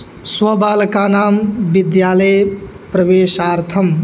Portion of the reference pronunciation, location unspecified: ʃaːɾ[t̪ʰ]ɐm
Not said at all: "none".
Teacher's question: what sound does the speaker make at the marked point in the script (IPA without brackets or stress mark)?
t̪ʰ